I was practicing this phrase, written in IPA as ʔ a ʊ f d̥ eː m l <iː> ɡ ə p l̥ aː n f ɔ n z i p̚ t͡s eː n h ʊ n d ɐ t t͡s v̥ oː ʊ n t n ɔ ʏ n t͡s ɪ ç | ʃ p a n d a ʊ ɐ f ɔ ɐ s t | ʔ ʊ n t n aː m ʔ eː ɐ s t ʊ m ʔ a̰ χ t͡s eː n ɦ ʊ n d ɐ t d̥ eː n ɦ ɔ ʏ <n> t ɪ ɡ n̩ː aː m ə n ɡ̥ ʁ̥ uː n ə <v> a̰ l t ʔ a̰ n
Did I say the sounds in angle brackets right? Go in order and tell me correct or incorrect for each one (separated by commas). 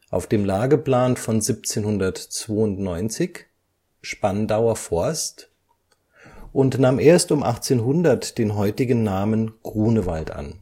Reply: incorrect, incorrect, correct